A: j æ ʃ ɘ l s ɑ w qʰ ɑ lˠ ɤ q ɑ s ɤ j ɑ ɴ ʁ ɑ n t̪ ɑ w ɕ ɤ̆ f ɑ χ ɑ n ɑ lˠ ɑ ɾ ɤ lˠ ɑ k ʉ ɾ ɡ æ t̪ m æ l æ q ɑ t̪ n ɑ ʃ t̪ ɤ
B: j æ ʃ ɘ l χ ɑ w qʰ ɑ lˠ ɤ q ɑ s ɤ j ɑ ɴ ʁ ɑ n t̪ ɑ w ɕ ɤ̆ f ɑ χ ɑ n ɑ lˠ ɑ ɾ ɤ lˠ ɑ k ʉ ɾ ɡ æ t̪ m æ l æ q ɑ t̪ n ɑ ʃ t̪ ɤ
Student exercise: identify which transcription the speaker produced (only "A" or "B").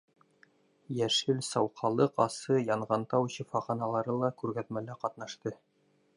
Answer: A